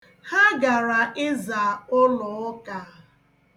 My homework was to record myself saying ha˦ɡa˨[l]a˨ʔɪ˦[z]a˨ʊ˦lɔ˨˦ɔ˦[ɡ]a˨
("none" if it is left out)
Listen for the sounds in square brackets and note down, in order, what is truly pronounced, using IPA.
ɾ, z, k

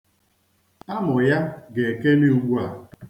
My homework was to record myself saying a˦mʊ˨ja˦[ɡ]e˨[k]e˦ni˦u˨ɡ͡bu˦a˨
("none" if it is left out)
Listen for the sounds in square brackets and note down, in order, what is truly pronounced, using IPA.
ɡ, k

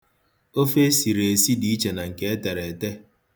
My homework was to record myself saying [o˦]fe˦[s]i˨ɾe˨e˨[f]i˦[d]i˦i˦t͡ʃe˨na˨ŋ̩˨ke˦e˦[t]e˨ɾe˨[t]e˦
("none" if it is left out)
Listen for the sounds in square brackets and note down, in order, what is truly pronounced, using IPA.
o˦, s, s, d, t, t

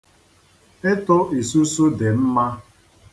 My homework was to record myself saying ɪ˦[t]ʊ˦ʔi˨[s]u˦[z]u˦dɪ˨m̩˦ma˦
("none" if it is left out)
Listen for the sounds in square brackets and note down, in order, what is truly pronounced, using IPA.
t, s, s

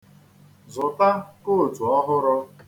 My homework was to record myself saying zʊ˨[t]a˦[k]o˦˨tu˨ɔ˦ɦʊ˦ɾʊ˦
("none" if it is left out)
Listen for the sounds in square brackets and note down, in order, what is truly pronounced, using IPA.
t, k

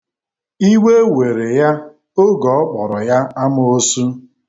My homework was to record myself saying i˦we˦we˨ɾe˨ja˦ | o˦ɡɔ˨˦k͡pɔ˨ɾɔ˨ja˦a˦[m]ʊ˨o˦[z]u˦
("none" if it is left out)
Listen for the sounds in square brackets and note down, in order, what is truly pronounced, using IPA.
m, s

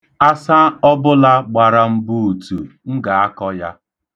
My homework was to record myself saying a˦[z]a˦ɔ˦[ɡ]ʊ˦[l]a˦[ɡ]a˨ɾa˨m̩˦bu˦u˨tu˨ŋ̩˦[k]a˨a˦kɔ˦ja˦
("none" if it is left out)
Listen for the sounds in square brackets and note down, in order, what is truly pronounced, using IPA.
s, b, l, ɡ͡b, ɡ

